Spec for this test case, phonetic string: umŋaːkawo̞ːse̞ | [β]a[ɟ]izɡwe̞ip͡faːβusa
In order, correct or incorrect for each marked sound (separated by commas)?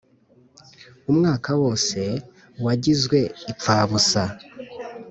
incorrect, correct